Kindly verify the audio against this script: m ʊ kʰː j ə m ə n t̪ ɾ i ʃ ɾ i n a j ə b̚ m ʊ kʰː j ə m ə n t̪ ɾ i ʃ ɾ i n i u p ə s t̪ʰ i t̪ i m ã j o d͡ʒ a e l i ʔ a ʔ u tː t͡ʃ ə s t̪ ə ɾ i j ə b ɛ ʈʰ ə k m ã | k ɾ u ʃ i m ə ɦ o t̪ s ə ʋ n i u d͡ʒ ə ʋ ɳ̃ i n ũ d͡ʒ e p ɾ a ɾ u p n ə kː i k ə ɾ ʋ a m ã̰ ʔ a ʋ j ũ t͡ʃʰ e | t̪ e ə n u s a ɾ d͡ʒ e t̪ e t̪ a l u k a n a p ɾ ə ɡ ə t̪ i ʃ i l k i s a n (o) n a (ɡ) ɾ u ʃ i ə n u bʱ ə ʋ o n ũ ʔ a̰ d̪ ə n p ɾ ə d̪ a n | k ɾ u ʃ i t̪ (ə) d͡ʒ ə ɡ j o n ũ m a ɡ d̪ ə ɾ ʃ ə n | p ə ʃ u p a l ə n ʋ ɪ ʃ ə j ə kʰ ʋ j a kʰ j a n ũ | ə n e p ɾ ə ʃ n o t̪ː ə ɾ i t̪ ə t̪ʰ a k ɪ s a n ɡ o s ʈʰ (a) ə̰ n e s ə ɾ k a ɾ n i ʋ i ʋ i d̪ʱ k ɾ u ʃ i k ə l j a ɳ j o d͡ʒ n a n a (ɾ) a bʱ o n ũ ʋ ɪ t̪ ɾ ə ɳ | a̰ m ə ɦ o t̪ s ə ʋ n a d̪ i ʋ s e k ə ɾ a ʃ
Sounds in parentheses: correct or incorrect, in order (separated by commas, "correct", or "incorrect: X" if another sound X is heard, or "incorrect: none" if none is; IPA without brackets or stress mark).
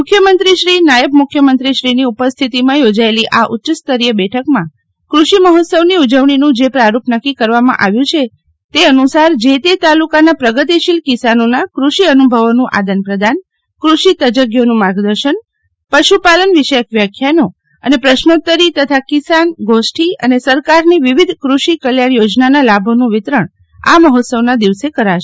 correct, incorrect: k, correct, incorrect: i, incorrect: l